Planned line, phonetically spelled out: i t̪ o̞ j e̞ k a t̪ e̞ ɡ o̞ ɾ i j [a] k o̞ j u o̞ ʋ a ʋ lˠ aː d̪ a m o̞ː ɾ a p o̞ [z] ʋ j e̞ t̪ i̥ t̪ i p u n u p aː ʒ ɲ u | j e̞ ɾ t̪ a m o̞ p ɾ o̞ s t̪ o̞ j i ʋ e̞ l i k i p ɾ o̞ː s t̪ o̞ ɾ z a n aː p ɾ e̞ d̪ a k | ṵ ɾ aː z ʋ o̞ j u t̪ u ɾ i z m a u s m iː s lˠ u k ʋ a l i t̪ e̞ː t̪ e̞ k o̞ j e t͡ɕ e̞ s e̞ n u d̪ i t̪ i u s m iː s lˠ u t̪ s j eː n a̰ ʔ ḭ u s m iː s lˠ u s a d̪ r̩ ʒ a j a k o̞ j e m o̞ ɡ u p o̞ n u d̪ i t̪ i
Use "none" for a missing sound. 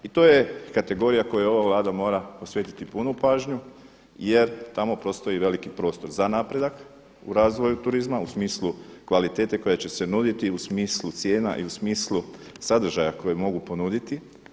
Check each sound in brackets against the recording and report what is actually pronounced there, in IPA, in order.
a, s

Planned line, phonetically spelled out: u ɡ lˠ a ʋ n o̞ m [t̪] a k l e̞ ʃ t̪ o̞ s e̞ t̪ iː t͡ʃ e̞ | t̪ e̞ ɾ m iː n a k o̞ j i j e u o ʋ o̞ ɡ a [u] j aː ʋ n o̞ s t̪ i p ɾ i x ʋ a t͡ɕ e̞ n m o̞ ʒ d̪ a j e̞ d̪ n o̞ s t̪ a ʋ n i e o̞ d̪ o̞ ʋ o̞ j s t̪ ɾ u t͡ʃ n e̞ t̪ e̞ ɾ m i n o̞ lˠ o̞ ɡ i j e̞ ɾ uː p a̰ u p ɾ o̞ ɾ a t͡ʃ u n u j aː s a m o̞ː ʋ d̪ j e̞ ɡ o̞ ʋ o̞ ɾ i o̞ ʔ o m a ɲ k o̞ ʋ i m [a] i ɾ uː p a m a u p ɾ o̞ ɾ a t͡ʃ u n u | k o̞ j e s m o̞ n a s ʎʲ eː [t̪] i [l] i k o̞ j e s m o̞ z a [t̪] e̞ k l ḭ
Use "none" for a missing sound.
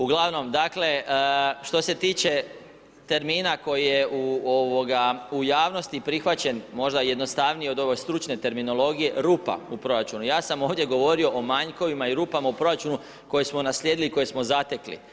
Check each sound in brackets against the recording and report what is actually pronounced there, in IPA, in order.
d̪, u, a, d̪, l, t̪

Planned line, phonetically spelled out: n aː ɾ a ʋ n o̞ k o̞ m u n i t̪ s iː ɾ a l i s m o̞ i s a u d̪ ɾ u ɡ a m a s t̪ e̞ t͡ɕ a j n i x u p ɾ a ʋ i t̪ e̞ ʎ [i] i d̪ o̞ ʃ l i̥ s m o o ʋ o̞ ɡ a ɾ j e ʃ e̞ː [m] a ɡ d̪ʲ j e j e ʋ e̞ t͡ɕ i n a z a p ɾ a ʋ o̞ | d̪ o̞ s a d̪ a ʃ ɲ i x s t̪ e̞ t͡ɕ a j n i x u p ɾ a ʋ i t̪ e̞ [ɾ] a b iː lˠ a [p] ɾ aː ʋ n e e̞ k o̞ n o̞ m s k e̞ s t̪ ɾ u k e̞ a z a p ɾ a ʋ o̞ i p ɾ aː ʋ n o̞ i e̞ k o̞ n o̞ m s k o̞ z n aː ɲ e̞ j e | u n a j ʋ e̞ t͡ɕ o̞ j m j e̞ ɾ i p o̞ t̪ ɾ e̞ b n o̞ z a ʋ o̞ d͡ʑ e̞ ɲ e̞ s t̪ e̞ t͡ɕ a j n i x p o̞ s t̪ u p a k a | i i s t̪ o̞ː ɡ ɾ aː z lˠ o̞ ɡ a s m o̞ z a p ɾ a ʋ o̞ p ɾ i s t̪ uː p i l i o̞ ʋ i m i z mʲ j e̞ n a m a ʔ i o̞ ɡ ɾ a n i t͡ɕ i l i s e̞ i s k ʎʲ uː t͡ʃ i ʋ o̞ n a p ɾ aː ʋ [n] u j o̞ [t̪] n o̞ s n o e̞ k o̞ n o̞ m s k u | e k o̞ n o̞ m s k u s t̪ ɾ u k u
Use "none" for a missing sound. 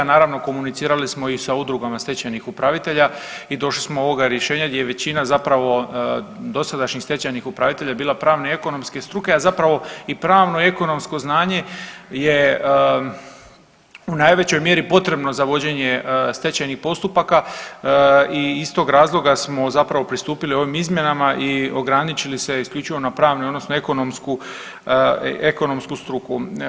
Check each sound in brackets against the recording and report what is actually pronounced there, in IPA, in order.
a, ɲ, ʎ, p, n, d̪

